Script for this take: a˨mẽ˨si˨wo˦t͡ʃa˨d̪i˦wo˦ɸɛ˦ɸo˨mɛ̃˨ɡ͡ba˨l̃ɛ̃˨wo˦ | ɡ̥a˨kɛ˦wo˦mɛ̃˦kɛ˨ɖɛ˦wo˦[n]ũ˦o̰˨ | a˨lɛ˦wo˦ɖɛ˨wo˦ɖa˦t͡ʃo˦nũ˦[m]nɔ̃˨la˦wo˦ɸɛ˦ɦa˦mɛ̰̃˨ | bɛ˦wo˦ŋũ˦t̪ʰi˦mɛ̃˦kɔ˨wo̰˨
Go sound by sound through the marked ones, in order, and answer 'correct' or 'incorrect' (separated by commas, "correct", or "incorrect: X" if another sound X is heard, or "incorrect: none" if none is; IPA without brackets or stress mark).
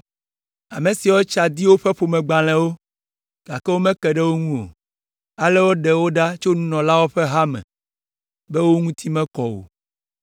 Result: incorrect: ŋ, incorrect: none